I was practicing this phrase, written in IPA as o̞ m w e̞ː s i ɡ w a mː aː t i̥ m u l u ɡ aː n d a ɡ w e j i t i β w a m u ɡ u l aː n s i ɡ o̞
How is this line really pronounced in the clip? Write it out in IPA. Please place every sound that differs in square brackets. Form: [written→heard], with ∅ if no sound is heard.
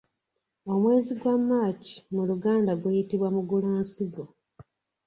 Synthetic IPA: o̞ m w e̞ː [s→z] i ɡ w a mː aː [t→c] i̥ m u l u ɡ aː n d a ɡ w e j i t i β w a m u ɡ u l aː n s i ɡ o̞